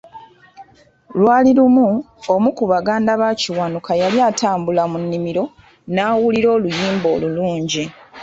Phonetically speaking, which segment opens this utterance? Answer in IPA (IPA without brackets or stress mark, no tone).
l